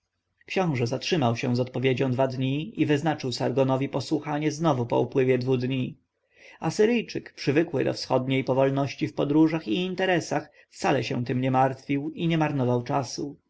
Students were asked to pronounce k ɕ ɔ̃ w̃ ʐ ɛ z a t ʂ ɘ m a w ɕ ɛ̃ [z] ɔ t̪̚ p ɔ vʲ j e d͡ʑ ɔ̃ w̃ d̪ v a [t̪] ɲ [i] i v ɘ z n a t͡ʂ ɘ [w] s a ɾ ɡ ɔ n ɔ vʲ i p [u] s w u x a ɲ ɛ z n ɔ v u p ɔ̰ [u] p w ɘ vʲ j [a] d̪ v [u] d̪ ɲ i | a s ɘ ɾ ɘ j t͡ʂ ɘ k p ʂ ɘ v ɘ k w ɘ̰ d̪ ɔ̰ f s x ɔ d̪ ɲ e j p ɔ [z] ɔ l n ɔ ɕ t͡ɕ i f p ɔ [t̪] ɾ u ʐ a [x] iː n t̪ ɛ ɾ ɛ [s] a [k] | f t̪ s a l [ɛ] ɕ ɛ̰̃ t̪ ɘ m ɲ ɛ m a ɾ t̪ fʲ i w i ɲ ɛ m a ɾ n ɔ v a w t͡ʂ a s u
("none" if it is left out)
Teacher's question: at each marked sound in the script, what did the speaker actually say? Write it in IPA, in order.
z, d̪, i, w, ɔ, u, ɛ, u, v, d̪, x, s, x, ɛ

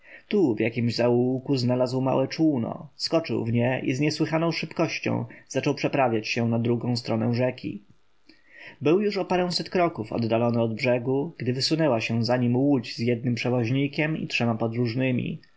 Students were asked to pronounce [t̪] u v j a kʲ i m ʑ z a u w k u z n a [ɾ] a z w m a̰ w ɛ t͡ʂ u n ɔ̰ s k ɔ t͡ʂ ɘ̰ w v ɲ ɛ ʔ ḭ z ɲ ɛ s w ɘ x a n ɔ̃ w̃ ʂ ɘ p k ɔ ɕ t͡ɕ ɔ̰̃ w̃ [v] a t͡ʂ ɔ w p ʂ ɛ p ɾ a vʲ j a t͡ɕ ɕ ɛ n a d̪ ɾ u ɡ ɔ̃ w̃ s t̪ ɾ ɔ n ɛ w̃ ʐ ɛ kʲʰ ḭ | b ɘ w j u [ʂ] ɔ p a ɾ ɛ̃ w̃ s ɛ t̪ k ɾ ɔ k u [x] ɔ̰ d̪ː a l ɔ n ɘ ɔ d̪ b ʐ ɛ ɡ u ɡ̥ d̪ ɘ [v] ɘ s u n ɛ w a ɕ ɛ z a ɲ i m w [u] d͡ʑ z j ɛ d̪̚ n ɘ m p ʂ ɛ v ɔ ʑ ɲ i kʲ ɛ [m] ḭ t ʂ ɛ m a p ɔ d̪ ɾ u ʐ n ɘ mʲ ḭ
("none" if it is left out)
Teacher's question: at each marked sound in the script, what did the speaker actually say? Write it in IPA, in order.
t̪, l, z, ʂ, f, v, u, m

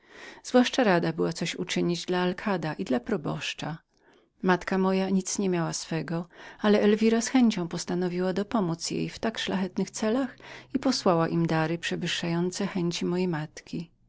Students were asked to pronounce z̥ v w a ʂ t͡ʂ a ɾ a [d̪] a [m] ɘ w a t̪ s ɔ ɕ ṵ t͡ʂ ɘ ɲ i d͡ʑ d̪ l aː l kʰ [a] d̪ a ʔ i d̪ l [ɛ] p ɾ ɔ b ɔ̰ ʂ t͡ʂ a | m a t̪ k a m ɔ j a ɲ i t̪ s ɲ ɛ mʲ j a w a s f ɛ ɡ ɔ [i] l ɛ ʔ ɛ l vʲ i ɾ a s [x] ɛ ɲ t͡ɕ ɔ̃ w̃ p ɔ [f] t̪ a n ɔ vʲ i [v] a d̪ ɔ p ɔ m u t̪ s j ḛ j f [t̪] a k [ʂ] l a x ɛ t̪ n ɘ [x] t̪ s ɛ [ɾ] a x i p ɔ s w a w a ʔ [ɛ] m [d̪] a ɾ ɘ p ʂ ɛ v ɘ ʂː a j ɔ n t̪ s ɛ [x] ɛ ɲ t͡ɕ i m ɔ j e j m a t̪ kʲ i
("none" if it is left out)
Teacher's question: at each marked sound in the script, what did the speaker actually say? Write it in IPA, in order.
d̪, b, a, a, a, x, s, w, t̪, ʂ, x, l, i, d̪, x

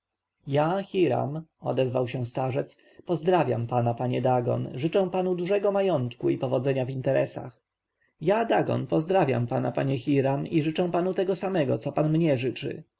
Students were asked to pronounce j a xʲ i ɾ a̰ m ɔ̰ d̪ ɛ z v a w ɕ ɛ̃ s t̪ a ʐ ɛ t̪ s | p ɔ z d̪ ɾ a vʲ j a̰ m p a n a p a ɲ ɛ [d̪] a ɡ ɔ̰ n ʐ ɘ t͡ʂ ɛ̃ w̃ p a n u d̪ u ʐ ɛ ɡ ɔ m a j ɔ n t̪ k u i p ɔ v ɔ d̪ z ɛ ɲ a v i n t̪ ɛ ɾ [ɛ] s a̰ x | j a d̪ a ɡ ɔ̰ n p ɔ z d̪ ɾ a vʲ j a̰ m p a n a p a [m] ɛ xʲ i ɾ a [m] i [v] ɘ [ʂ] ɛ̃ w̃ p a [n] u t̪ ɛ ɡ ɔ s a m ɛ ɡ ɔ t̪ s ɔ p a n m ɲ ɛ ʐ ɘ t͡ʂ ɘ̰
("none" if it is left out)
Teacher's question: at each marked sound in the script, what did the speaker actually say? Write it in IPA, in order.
d̪, ɛ, ɲ, m, ʐ, t͡ʂ, n

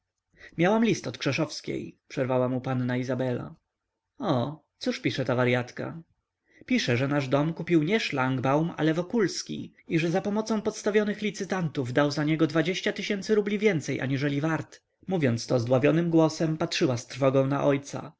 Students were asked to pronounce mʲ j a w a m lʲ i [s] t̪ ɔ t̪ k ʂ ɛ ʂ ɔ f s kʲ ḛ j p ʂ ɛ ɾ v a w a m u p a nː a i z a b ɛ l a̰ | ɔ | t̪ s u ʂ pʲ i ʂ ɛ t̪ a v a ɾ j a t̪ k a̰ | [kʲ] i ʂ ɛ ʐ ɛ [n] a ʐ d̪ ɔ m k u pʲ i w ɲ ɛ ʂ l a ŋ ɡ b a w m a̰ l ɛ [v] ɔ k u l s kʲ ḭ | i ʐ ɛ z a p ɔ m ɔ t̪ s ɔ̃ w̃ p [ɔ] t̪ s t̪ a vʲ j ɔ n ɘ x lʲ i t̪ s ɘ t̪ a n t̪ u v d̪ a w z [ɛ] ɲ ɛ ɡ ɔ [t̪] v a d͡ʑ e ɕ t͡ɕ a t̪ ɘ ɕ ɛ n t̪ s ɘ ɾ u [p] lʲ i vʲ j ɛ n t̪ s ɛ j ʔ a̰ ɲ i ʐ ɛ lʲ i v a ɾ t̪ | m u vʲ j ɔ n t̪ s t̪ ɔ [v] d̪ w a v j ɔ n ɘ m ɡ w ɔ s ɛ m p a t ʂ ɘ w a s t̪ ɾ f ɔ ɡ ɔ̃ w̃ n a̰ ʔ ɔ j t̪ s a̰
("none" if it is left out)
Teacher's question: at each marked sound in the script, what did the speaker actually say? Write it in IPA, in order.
s, pʲ, n, v, ɔ, a, d̪, b, z

